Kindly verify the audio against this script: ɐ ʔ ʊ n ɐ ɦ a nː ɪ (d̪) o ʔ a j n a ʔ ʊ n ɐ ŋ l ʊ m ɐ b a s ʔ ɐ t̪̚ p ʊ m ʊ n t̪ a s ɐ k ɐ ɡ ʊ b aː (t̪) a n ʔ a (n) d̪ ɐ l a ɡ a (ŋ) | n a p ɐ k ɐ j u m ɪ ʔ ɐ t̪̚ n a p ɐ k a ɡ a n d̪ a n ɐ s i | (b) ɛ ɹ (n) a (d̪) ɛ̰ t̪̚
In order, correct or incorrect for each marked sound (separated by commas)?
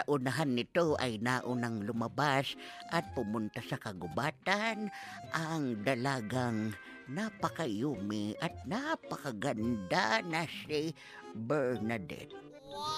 incorrect, correct, incorrect, correct, correct, correct, correct